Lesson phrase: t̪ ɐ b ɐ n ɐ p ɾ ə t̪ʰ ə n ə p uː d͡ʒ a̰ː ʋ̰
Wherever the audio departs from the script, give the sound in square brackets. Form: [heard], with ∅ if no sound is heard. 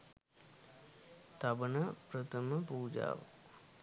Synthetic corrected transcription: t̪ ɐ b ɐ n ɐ p ɾ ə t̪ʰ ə [m] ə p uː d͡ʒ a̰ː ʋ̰